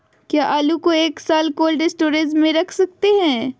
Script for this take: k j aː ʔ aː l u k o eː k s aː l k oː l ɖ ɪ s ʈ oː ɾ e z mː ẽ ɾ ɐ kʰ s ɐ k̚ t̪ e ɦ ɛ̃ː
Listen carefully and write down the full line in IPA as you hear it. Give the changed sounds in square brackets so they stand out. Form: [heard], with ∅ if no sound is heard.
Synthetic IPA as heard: k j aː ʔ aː l u k o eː k s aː l k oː l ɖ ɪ s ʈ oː ɾ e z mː ẽ ɾ ɐ kʰ s ɐ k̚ t̪ e ɦ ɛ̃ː